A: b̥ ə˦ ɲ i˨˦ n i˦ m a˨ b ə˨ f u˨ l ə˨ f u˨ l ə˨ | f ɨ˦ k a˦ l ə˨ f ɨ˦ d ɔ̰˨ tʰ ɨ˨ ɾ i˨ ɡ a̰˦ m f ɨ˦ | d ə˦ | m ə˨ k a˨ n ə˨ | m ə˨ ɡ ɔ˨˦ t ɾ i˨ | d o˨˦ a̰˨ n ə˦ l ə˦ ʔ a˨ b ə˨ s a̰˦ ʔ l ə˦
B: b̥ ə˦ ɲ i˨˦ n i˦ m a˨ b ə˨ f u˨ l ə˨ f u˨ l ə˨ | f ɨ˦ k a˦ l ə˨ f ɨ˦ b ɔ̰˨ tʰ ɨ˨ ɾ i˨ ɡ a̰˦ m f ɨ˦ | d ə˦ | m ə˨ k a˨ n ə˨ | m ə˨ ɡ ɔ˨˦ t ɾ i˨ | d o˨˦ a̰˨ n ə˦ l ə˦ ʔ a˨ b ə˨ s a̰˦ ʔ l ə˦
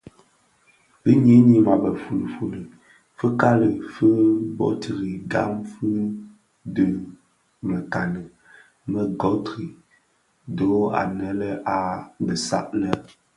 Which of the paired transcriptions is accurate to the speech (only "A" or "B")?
B